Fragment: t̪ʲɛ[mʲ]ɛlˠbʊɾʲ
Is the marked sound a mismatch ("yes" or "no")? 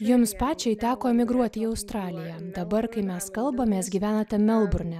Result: no